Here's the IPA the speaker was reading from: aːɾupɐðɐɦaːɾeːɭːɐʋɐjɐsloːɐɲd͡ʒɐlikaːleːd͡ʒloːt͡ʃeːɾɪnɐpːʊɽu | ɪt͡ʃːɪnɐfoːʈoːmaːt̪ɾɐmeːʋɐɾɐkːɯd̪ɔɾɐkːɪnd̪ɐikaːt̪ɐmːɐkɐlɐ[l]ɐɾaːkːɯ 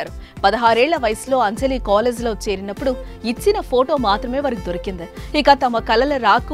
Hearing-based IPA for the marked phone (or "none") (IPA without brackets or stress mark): l